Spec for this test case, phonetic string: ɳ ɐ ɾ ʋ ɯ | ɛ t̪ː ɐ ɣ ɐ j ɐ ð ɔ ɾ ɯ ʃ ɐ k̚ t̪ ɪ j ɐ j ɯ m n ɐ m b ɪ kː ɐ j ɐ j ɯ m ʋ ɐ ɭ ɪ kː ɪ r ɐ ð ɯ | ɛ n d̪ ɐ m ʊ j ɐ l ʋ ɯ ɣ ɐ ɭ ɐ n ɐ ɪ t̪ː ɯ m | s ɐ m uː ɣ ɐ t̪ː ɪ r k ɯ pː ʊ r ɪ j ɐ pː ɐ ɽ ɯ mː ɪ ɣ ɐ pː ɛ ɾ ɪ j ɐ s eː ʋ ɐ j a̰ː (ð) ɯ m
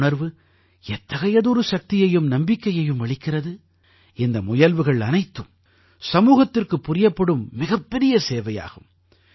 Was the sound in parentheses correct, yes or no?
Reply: no